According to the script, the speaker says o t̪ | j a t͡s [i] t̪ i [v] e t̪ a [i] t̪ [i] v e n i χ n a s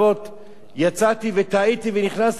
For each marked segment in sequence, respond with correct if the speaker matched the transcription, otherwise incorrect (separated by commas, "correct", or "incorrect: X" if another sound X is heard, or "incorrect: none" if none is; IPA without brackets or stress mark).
incorrect: a, correct, correct, correct